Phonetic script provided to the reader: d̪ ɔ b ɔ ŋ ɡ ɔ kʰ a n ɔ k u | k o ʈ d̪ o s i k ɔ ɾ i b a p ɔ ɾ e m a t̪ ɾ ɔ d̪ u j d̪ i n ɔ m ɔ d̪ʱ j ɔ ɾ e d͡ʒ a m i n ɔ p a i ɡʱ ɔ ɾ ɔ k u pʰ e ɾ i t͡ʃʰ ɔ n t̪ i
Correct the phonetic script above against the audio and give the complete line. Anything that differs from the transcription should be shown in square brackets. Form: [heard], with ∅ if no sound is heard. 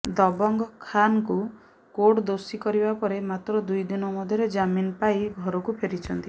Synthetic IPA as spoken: d̪ ɔ b ɔ ŋ ɡ ɔ kʰ a n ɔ k u | k o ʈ d̪ o s i k ɔ ɾ i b a p ɔ ɾ e m a t̪ ɾ ɔ d̪ u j d̪ i n ɔ m ɔ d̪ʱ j ɔ ɾ e d͡ʒ a m i n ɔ p a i ɡʱ ɔ ɾ ɔ k u pʰ e ɾ i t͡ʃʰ ɔ n t̪ i